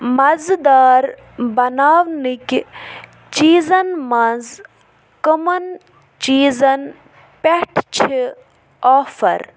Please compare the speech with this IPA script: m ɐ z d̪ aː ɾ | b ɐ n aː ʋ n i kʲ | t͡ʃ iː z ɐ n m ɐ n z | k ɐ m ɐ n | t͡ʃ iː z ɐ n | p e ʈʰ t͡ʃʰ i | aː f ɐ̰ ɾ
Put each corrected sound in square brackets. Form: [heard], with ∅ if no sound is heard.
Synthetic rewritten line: m ɐ z d̪ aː ɾ | b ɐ n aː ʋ n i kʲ | t͡ʃ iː z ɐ n m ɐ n z | k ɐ m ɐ n | t͡ʃ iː z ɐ n | p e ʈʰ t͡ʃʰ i | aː f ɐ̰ ɾ